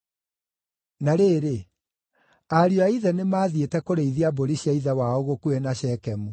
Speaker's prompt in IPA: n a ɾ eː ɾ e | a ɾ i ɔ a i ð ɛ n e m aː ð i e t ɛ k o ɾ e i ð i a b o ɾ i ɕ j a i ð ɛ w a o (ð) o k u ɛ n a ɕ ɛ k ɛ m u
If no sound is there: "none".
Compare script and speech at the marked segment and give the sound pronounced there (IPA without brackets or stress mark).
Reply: ɣ